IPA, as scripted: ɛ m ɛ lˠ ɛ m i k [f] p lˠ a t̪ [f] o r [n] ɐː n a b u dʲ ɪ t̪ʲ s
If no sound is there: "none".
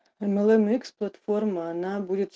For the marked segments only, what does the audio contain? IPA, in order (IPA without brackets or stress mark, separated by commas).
s, f, m